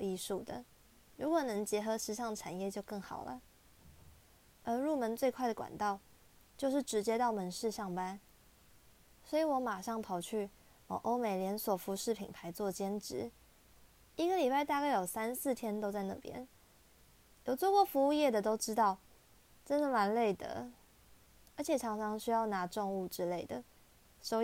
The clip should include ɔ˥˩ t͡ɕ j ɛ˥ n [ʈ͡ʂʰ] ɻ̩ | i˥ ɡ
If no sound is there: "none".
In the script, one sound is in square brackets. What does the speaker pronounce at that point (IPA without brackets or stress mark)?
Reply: ʈ͡ʂ